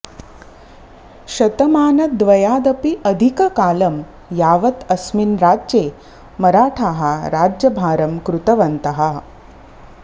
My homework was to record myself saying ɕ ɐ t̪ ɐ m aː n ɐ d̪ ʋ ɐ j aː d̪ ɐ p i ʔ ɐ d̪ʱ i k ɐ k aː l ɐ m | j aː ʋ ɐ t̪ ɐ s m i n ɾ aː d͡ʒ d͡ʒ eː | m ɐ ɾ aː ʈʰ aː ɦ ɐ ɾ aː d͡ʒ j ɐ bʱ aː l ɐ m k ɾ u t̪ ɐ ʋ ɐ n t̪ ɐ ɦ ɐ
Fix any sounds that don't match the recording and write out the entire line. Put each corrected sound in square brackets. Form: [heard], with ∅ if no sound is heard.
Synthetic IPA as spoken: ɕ ɐ t̪ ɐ m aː n ɐ d̪ ʋ ɐ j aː d̪ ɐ p i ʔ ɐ d̪ʱ i k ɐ k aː l ɐ m | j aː ʋ ɐ t̪ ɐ s m i n ɾ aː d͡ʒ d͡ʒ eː | m ɐ ɾ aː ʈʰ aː ɦ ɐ ɾ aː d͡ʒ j ɐ bʱ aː [ɾ] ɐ m k ɾ u t̪ ɐ ʋ ɐ n t̪ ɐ ɦ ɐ